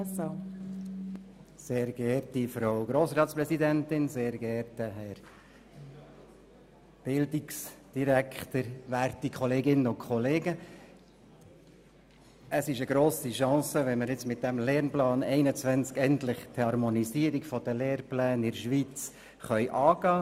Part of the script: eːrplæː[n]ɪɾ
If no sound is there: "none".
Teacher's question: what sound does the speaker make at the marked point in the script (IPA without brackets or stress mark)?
n